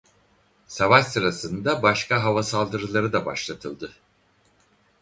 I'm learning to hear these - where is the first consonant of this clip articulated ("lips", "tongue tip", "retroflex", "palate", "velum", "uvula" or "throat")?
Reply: tongue tip